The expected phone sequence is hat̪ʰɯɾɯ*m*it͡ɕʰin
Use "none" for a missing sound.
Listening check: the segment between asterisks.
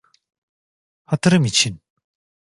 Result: m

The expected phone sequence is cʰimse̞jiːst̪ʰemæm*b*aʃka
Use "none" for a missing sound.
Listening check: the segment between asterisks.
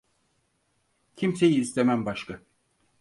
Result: b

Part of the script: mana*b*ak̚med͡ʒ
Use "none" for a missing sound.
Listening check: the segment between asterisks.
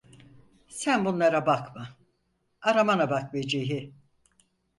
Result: b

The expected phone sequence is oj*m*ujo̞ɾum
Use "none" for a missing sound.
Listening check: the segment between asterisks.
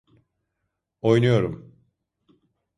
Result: n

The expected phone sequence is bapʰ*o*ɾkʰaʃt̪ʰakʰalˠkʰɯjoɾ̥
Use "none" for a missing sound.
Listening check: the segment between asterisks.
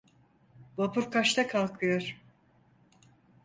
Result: u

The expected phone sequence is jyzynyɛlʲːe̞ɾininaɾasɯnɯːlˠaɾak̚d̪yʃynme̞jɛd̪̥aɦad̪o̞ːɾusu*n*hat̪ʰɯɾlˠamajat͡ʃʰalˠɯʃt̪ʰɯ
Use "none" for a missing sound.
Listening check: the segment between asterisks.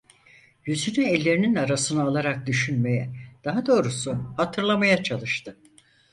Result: none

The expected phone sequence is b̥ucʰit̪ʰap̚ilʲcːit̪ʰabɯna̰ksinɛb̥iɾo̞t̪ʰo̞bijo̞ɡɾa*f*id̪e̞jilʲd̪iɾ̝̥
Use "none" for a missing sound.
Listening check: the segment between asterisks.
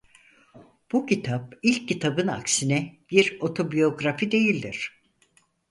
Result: f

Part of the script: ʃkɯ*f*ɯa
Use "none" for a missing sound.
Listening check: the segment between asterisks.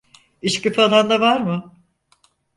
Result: f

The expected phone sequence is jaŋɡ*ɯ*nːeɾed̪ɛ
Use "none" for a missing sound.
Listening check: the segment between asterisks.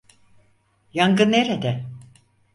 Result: ɯ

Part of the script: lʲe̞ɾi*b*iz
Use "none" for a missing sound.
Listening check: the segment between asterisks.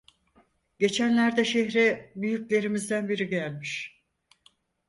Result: m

